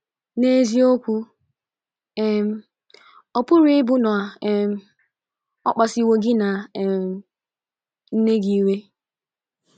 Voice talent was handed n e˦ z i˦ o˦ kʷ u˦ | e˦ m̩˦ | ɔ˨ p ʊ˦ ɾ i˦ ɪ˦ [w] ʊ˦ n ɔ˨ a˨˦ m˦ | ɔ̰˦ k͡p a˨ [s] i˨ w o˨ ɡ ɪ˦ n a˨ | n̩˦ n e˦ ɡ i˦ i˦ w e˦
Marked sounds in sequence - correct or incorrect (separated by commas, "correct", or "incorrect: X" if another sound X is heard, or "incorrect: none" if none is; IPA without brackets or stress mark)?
incorrect: b, correct